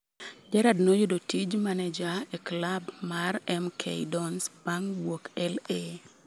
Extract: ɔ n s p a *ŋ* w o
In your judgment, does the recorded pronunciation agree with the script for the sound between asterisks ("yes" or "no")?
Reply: yes